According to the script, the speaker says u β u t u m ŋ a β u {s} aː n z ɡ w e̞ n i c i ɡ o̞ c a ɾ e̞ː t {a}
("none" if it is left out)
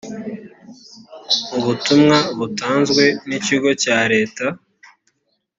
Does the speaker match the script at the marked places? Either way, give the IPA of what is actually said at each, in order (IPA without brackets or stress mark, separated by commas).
t, a